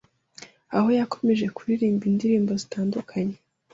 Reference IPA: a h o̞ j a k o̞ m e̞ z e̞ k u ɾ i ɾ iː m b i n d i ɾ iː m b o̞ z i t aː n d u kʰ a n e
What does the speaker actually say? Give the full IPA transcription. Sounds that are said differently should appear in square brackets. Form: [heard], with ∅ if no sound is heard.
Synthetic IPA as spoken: a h o̞ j a k o̞ m e̞ [ʒ] e̞ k u ɾ i ɾ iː m b i n d i ɾ iː m b o̞ z i t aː n d u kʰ a [ɲ] e